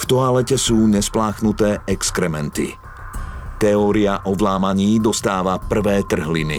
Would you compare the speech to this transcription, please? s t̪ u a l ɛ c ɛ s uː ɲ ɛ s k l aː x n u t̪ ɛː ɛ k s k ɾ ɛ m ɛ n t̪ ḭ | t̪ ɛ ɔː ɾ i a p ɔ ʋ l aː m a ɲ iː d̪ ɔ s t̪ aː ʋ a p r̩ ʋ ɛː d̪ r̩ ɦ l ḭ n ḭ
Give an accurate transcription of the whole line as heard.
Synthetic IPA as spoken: f t̪ ɔ a l ɛ c ɛ s uː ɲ ɛ s p l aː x n u t̪ ɛː ɛ k s k ɾ ɛ m ɛ n t̪ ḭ | t̪ ɛ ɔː ɾ i a ʔ ɔ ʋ l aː m a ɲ iː d̪ ɔ s t̪ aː ʋ a p r̩ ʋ ɛː t̪ r̩ ɦ l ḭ n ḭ